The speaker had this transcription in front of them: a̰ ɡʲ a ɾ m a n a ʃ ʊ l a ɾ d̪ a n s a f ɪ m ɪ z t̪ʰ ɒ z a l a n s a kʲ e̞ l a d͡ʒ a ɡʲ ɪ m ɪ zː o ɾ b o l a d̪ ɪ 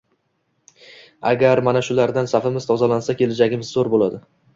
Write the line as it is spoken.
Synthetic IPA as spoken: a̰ ɡʲ a ɾ m a n a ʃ ʊ l a ɾ d̪ a n s a f ɪ m ɪ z t̪ʰ ɒ z a l a n s a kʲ e̞ l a d͡ʒ a ɡʲ ɪ m ɪ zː o ɾ b o l a d̪ ɪ